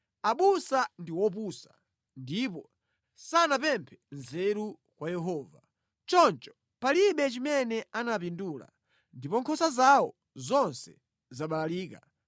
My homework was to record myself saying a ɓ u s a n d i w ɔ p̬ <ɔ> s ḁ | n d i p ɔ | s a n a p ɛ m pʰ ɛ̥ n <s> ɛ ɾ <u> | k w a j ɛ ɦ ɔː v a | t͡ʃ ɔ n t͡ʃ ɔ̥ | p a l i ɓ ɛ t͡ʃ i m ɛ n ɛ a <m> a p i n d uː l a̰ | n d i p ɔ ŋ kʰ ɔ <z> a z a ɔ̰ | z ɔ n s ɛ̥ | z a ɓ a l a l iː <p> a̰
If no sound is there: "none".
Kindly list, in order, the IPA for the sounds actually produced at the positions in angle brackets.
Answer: u, z, u, n, s, k

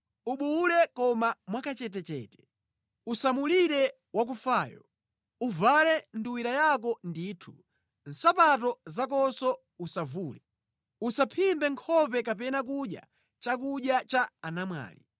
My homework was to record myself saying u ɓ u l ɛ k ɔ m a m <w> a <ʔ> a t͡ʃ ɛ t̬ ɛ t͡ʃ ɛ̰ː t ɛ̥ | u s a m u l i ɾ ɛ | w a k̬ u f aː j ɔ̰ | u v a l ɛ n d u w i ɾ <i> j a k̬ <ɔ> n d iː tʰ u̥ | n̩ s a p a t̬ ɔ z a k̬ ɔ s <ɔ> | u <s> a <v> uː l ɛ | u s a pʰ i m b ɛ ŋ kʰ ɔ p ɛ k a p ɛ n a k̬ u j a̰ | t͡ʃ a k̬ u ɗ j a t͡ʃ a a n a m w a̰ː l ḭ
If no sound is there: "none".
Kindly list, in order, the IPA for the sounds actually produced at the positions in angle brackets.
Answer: w, k, a, ɔ, ɔ, s, v

